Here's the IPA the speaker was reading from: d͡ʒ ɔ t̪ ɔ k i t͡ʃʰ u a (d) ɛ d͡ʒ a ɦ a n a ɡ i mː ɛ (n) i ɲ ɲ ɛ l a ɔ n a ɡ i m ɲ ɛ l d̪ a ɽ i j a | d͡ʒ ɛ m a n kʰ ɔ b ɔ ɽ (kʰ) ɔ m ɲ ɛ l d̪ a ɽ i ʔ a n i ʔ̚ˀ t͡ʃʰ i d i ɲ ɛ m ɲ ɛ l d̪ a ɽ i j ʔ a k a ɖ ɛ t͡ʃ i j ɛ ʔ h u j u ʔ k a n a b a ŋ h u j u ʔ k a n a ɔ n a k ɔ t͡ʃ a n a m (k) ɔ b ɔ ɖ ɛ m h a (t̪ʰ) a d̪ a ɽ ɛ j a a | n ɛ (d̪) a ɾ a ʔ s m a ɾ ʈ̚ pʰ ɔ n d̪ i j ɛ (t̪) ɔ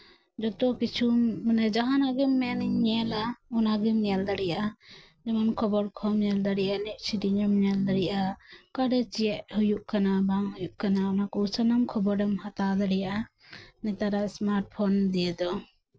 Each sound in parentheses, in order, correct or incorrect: incorrect, correct, correct, incorrect, incorrect, incorrect, incorrect

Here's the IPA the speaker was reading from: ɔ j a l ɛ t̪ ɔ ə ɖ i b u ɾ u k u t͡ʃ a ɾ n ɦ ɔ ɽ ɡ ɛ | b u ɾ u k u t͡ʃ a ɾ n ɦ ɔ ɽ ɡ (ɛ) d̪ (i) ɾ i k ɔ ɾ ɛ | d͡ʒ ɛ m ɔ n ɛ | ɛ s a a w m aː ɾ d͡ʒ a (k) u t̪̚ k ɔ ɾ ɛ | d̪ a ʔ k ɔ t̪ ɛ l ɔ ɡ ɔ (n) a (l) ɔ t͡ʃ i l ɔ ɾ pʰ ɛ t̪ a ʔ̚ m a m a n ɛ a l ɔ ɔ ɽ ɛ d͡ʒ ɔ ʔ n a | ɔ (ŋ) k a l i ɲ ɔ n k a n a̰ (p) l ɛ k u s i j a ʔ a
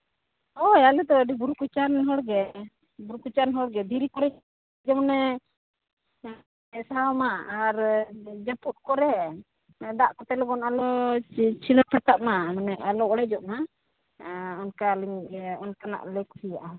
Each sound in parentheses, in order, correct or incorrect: correct, correct, incorrect, correct, correct, incorrect, incorrect

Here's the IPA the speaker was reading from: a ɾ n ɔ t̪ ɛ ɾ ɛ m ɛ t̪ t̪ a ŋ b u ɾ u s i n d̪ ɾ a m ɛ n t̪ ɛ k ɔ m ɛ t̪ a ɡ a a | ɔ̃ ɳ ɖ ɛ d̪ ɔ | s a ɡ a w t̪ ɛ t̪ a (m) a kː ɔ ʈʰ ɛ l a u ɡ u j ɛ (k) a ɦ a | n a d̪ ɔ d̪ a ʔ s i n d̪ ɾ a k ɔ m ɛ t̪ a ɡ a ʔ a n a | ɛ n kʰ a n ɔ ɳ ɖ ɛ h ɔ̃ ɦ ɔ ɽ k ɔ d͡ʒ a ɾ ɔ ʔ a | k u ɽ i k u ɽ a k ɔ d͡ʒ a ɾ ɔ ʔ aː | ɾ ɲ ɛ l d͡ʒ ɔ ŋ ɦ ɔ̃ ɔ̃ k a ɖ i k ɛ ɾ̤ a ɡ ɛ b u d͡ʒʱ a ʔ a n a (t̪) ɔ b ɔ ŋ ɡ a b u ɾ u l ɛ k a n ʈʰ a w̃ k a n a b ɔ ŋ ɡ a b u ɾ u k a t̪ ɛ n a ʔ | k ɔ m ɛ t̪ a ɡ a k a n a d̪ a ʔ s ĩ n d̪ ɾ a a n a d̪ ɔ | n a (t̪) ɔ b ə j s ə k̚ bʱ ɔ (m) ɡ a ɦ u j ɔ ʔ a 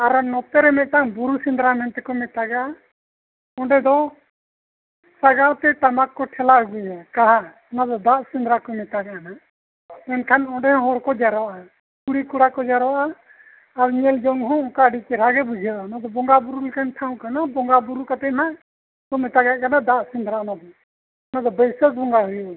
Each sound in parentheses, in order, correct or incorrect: correct, correct, incorrect, incorrect, incorrect

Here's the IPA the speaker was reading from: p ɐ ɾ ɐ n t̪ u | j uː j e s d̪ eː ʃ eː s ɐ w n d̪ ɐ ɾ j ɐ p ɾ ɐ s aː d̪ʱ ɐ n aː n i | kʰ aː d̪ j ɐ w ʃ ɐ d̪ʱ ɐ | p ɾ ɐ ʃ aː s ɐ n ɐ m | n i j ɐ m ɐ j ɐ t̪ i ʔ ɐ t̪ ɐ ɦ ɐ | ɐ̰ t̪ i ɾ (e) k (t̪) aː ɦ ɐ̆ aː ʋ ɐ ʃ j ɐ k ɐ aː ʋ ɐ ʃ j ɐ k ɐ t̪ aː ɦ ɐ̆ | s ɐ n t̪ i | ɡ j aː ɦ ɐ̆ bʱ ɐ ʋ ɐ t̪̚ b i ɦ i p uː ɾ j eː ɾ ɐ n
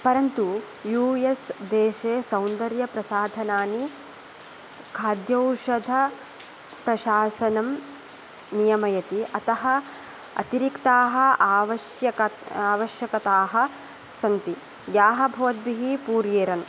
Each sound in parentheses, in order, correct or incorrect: incorrect, correct

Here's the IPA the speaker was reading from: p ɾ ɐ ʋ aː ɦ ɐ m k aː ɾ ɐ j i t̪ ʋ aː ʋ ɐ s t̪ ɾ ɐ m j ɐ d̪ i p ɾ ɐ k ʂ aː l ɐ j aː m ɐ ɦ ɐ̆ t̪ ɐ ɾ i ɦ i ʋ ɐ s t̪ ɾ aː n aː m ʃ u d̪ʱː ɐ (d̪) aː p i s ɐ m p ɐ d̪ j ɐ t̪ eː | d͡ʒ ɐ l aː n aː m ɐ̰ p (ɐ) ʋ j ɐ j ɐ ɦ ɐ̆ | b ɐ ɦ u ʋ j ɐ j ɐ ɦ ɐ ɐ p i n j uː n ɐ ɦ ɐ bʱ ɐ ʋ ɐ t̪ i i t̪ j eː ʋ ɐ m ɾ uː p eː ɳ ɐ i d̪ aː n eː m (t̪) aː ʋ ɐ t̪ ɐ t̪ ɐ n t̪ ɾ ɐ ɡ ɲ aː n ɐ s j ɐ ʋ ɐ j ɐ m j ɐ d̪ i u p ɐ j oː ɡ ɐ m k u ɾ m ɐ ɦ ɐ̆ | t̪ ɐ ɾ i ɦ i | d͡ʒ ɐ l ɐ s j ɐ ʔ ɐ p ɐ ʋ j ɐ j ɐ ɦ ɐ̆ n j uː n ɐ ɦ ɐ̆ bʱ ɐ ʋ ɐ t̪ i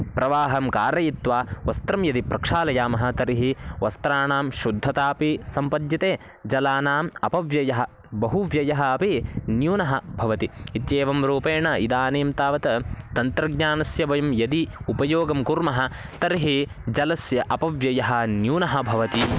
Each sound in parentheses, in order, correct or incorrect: incorrect, correct, correct

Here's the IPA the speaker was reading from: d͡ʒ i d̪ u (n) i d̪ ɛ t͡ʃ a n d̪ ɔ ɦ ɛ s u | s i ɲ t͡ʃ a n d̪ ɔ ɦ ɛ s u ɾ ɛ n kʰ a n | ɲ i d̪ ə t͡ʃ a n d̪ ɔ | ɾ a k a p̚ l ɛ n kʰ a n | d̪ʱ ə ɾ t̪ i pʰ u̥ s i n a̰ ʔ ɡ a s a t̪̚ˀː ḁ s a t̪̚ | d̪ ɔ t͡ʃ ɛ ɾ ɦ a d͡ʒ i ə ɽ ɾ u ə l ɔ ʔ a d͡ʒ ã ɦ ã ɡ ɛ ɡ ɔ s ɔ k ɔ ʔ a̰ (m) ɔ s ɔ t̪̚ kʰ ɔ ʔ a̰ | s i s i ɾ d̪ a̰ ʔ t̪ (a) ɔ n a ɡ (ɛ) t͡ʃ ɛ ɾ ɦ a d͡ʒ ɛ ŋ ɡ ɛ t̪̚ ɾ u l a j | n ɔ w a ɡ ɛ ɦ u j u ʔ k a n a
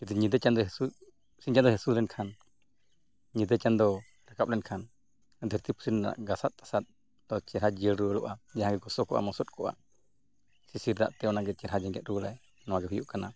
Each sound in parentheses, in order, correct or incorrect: incorrect, correct, incorrect, correct

